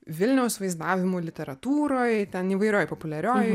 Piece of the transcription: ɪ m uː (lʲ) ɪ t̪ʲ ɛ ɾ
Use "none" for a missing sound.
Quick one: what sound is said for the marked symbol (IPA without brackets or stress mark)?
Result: lʲ